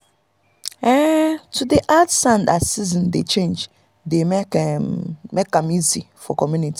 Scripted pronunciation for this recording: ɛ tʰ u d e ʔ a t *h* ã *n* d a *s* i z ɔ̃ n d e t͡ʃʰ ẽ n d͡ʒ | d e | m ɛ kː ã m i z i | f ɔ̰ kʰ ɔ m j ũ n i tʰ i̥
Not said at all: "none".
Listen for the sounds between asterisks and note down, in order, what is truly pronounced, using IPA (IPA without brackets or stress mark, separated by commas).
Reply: s, n, s